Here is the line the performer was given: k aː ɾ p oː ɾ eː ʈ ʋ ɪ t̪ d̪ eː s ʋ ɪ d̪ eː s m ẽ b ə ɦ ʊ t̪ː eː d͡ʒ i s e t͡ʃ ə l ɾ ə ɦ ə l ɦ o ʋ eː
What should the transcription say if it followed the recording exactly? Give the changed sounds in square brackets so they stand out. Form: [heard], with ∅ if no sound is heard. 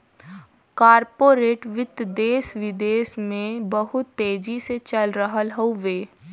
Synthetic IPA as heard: k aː ɾ p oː ɾ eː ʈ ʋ ɪ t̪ d̪ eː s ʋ ɪ d̪ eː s m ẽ b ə ɦ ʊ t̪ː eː d͡ʒ i s e t͡ʃ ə l ɾ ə ɦ ə l ɦ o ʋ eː